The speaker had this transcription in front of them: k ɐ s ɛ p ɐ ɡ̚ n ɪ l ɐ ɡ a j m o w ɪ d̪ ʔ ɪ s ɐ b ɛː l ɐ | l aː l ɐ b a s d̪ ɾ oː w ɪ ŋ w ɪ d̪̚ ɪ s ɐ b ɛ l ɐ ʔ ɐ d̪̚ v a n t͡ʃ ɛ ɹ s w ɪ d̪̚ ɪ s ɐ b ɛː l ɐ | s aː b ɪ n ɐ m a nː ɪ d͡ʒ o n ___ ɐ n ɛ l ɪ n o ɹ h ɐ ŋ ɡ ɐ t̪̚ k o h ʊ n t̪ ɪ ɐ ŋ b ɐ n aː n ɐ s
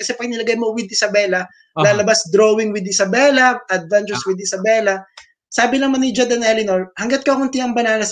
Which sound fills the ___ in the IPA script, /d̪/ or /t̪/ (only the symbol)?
d̪